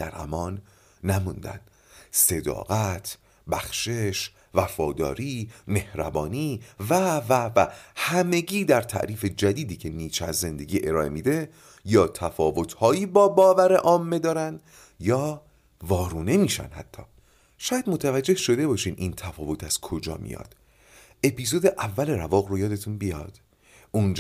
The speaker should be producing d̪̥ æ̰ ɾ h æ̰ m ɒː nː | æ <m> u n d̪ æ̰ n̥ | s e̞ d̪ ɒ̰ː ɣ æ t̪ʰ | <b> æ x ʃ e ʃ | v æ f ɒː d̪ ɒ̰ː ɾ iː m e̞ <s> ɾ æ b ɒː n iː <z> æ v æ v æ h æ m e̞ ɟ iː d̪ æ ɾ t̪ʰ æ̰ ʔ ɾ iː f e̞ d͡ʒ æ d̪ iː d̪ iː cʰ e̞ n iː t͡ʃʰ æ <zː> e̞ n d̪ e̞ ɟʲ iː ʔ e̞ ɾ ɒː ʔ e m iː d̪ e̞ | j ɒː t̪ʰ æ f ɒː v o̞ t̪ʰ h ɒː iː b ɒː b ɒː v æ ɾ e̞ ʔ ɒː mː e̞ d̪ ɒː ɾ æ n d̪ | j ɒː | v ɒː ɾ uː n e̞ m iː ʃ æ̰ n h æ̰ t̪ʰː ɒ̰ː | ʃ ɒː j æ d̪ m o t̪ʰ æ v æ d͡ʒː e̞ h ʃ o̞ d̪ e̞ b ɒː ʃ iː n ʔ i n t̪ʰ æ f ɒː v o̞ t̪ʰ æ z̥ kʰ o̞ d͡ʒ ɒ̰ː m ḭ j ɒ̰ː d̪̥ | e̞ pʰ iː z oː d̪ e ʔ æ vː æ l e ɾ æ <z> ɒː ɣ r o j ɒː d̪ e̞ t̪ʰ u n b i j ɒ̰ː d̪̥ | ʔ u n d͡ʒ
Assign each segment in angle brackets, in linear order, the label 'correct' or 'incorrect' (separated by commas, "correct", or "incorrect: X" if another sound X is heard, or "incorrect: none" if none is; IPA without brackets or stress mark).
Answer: correct, correct, incorrect: h, incorrect: v, correct, incorrect: v